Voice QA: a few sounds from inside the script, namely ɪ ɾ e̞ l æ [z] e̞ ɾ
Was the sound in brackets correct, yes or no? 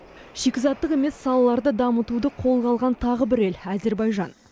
yes